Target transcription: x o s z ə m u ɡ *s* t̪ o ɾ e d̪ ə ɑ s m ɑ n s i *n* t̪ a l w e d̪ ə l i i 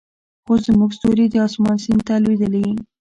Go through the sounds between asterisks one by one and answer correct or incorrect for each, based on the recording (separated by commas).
correct, correct